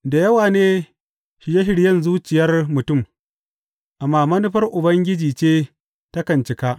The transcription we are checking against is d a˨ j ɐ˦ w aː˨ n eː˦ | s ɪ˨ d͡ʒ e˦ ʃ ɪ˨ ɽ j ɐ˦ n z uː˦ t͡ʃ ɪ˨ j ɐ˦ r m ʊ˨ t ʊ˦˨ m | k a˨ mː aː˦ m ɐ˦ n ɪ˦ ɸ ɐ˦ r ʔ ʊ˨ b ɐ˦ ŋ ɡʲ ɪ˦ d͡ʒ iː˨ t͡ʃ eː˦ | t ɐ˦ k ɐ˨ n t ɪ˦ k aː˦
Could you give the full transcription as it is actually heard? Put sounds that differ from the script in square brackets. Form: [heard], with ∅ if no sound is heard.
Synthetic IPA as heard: d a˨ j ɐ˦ w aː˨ n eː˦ | [ʃ] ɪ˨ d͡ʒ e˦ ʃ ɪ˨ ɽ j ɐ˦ n z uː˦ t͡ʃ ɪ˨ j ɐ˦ r m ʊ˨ t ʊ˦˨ m | [ʔ] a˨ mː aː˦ m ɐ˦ n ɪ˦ ɸ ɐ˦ r ʔ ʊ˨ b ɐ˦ ŋ ɡʲ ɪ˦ d͡ʒ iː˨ t͡ʃ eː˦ | t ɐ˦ k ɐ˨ n [t͡ʃ] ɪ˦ k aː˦